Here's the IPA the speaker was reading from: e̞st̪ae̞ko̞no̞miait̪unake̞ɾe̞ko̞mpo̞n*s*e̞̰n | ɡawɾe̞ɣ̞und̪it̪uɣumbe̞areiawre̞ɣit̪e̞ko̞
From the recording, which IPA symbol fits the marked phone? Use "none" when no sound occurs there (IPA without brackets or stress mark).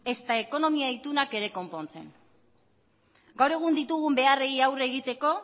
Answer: t͡s